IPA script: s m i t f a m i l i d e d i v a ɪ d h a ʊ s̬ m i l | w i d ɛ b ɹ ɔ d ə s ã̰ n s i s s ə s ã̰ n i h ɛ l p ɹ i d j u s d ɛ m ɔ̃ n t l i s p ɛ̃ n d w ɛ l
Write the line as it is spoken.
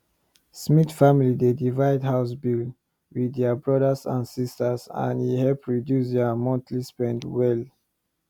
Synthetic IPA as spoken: s m i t f a m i l i d e d i v a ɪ d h a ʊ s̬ b i l | w i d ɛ b ɹ ɔ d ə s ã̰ n s i s t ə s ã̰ n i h ɛ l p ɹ i d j u s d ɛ m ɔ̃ n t l i s p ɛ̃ n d w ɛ l